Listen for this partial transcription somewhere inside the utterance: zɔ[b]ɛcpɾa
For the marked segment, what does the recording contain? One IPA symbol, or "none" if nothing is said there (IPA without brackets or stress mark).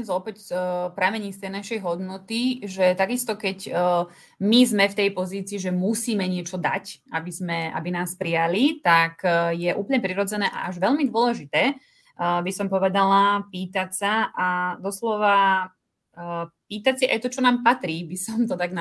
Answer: p